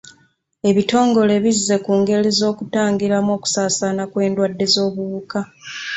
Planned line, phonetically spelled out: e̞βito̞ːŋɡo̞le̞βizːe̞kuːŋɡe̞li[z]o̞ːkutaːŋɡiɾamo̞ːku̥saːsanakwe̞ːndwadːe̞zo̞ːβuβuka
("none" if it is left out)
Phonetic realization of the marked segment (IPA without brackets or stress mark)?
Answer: z